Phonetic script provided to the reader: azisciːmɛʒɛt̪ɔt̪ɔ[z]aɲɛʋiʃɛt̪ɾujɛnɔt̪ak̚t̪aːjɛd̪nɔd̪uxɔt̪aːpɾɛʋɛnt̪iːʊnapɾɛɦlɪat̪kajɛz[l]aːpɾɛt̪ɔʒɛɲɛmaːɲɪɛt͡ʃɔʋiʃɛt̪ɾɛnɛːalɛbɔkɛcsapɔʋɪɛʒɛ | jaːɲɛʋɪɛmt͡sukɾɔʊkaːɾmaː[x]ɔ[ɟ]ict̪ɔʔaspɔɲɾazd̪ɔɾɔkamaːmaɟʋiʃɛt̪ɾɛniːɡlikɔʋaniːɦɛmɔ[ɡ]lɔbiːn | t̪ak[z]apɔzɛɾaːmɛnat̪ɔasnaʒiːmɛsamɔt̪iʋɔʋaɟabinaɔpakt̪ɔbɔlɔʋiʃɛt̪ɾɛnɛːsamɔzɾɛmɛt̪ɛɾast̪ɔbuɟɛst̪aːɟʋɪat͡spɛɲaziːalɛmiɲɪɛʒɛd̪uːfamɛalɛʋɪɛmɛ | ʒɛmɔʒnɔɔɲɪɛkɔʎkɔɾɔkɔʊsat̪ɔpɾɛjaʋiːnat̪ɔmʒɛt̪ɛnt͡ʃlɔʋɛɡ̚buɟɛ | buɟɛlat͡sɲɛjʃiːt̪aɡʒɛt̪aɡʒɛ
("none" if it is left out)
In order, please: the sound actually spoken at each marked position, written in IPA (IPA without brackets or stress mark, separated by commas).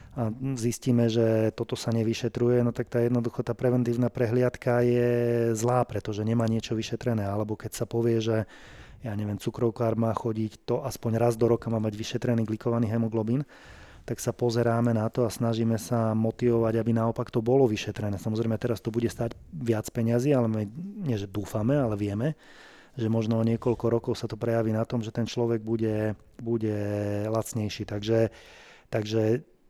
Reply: s, l, x, ɟ, ɡ, s